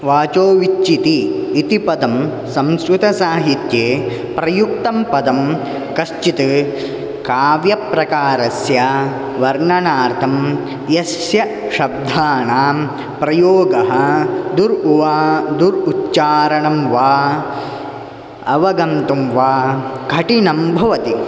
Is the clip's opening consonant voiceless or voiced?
voiced